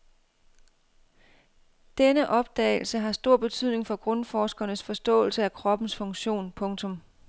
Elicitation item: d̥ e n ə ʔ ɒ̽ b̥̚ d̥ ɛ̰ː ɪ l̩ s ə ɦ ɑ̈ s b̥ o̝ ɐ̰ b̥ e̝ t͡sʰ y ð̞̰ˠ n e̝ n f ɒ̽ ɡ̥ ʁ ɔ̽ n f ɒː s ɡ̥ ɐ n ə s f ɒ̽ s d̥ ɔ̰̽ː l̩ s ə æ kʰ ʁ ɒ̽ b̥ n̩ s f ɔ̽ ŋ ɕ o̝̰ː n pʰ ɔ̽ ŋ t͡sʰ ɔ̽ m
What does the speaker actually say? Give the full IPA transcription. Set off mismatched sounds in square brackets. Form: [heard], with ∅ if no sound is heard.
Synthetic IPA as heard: d̥ e n ə ʔ ɒ̽ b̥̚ d̥ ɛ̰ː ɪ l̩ s ə ɦ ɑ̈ s [d̥] o̝ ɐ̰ b̥ e̝ t͡sʰ y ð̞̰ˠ n e̝ [ŋ] f ɒ̽ ɡ̥ ʁ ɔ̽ n f ɒː s ɡ̥ ɐ n ə s f ɒ̽ s d̥ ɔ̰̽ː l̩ s ə æ kʰ ʁ ɒ̽ b̥ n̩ s f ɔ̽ ŋ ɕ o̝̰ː n pʰ ɔ̽ ŋ t͡sʰ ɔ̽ m